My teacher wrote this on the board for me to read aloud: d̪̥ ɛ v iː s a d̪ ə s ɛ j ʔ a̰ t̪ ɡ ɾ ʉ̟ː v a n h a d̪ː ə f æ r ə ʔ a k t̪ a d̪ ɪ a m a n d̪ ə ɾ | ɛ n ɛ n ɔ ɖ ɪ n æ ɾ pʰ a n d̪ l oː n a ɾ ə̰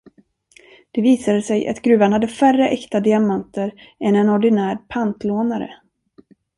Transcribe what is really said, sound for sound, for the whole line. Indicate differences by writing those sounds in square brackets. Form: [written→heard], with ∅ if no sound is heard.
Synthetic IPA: d̪̥ ɛ v iː s a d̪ ə s ɛ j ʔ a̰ t̪ ɡ ɾ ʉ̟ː v a n h a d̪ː ə f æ r ə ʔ [a→ɛ] k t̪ a d̪ ɪ a m a n [d̪→t̪] ə ɾ | ɛ n ɛ n ɔ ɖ ɪ n [æ→æː] ɾ pʰ a n [d̪→t̪] l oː n a ɾ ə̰